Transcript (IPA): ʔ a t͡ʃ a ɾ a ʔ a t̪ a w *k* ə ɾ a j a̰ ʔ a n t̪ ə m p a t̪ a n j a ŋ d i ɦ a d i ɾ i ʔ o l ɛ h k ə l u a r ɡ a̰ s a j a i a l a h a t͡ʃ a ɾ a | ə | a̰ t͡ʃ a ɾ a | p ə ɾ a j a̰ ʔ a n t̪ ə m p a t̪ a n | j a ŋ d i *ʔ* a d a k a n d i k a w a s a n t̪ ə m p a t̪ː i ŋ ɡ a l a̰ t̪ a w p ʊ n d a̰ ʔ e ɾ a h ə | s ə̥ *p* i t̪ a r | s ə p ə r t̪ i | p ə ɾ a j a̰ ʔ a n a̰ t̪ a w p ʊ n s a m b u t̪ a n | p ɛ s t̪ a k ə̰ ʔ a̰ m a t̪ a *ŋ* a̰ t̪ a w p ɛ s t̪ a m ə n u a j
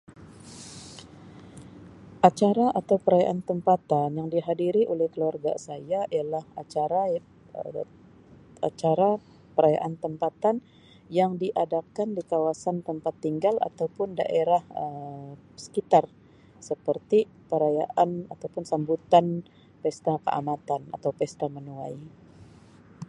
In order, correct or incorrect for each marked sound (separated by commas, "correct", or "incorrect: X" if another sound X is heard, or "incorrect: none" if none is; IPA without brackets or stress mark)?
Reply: incorrect: p, correct, incorrect: k, incorrect: n